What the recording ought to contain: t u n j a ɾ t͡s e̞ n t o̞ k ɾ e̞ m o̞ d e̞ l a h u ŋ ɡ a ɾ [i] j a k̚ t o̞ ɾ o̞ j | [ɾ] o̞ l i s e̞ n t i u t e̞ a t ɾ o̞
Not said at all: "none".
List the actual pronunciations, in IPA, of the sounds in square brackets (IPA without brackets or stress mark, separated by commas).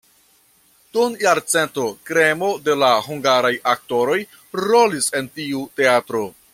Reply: a, ɾ